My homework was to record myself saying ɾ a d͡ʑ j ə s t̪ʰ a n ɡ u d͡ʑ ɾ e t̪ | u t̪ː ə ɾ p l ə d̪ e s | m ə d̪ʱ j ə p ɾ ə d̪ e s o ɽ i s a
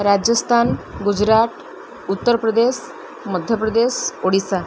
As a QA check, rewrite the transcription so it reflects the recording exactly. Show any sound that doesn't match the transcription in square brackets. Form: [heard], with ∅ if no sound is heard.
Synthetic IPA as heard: ɾ a d͡ʑ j ə s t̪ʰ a n ɡ u d͡ʑ ɾ [a] t̪ | u t̪ː ə ɾ p [ɾ] ə d̪ e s | m ə d̪ʱ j ə p ɾ ə d̪ e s o ɽ i s a